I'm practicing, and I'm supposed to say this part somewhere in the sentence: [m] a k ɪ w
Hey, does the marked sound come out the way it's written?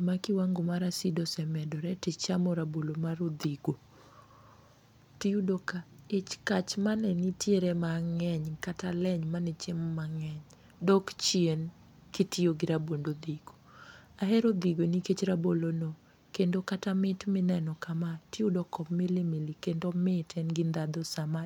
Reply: yes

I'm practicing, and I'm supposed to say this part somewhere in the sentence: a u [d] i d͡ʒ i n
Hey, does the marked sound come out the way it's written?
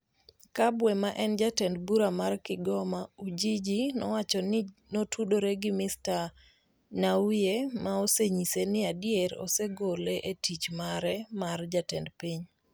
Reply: no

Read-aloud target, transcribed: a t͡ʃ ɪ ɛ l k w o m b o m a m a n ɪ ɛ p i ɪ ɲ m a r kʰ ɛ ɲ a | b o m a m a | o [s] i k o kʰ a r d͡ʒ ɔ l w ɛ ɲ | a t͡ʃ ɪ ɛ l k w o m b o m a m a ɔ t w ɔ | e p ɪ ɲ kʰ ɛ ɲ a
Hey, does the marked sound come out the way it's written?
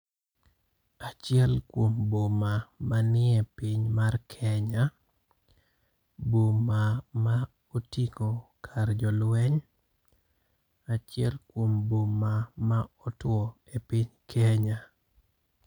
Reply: no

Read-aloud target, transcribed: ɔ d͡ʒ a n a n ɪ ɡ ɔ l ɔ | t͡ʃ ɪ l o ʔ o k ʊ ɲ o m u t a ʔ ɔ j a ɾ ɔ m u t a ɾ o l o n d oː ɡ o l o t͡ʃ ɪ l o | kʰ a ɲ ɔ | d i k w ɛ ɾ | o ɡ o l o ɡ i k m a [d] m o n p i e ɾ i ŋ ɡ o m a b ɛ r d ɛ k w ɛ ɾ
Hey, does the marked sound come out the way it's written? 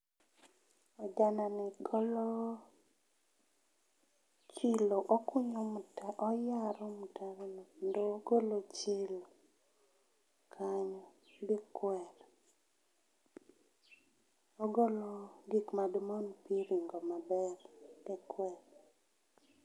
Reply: yes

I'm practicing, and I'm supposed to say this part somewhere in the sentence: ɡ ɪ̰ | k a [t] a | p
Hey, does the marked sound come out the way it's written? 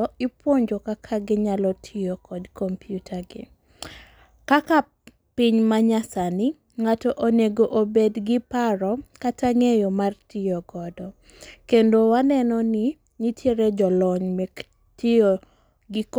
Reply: no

